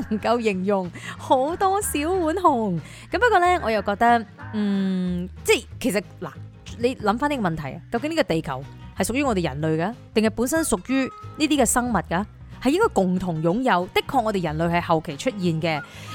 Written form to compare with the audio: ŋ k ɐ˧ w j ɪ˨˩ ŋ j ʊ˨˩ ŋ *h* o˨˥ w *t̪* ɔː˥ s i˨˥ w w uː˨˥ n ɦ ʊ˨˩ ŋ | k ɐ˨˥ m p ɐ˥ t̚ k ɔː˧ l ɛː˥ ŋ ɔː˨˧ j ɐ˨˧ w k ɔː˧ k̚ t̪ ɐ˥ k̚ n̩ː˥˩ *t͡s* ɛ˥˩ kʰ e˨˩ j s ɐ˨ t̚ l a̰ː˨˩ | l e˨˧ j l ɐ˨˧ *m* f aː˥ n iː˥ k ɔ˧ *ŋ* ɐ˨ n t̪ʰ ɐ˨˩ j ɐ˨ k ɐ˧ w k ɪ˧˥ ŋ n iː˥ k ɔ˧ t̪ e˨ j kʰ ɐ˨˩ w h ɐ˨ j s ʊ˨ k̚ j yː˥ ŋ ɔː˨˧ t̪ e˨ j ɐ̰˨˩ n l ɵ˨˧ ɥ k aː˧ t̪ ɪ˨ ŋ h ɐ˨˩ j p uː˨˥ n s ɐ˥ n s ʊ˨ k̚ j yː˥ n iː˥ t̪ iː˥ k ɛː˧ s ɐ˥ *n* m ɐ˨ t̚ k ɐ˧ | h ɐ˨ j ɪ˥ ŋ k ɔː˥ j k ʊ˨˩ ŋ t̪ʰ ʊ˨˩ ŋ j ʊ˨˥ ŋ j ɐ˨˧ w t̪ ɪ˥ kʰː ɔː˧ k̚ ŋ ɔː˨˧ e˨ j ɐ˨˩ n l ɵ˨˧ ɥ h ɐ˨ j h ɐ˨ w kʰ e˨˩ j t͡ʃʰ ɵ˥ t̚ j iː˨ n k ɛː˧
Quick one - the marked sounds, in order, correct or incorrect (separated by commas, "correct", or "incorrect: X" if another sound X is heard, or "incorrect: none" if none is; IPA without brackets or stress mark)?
correct, correct, correct, correct, incorrect: m, incorrect: ŋ